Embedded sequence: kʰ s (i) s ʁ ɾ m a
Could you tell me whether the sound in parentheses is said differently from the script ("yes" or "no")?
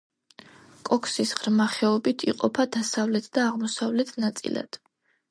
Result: no